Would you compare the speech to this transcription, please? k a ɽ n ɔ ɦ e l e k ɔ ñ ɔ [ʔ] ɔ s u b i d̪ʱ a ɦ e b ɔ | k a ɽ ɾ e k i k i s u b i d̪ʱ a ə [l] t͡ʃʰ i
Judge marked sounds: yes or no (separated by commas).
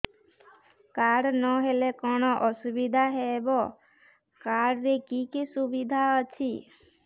yes, no